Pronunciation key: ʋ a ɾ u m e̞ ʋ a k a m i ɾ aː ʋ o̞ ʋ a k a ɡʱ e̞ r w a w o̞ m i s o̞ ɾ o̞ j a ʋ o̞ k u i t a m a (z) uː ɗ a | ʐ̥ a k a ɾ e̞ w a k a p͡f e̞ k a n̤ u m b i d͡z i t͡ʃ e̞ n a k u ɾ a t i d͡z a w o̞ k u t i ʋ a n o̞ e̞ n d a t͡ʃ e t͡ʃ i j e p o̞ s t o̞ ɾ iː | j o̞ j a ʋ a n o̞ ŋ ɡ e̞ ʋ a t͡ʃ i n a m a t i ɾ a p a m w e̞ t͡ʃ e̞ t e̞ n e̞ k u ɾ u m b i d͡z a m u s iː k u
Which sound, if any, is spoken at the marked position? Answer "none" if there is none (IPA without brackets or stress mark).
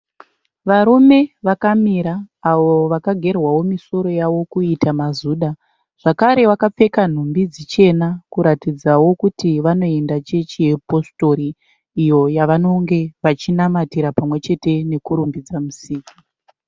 z